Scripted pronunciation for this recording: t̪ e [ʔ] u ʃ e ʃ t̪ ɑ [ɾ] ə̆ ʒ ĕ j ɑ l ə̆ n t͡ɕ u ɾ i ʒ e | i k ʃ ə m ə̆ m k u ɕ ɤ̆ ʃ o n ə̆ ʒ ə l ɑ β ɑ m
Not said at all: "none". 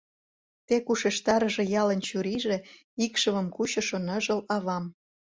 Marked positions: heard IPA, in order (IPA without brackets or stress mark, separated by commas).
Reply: k, ɾ